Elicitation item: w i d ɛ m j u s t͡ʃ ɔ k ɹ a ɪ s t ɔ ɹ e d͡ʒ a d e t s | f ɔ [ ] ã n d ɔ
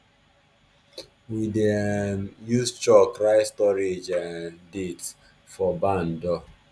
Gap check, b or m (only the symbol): b